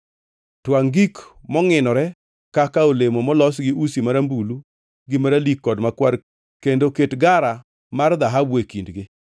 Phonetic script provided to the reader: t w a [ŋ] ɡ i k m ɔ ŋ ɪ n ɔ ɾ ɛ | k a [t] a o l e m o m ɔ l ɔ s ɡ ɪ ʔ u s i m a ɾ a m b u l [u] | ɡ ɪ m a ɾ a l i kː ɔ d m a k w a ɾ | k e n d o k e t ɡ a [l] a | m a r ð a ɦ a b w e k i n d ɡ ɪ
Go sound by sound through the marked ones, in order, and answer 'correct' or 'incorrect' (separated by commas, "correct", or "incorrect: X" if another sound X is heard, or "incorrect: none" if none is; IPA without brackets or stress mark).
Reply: correct, incorrect: k, correct, incorrect: ɾ